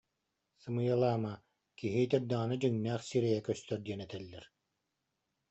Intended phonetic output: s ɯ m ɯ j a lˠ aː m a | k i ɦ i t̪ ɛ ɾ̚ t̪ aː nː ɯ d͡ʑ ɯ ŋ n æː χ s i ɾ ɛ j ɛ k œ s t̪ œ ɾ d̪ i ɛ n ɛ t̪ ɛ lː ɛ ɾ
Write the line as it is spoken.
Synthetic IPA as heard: s ɯ m ɯ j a lˠ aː m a | k i ɦ i t̪ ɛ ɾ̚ d̪ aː n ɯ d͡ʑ ɯ ŋ n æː χ s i ɾ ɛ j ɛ k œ s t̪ œ ɾ d̪ i ɛ n ɛ t̪ ɛ lː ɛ ɾ